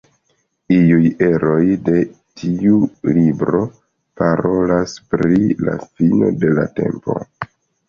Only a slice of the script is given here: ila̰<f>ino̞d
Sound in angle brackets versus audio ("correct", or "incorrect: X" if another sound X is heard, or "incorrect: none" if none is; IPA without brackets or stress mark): correct